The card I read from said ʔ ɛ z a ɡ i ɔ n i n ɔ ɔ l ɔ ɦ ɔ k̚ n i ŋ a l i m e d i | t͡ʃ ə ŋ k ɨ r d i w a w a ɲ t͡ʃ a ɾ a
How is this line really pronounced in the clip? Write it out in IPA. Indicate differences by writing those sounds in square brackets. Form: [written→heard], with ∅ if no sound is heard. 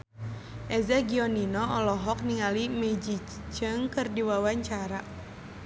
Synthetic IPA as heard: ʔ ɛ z a ɡ i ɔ n i n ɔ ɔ l ɔ ɦ ɔ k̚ n i ŋ a l i m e [d→d͡ʒ] i | t͡ʃ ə ŋ k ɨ r d i w a w a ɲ t͡ʃ a ɾ a